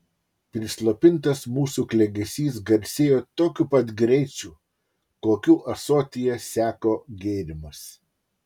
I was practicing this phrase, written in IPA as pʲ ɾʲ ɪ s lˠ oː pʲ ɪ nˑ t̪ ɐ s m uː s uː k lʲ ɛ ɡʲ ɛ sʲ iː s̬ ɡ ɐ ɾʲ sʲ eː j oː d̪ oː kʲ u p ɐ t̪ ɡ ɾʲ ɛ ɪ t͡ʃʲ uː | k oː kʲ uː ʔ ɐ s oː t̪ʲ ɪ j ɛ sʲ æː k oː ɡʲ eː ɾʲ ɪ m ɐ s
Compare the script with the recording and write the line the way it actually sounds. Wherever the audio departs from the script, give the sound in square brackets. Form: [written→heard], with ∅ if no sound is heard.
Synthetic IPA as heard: pʲ ɾʲ ɪ s lˠ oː pʲ ɪ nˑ t̪ ɐ s m uː s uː k lʲ ɛ ɡʲ ɛ sʲ iː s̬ ɡ ɐ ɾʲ sʲ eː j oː [d̪→t̪] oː kʲ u p ɐ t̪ ɡ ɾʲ ɛ ɪ t͡ʃʲ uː | k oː kʲ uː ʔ ɐ s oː t̪ʲ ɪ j ɛ sʲ æː k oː ɡʲ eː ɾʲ ɪ m ɐ s